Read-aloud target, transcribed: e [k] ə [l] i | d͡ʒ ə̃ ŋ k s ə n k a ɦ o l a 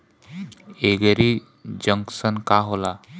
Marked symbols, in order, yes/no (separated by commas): no, no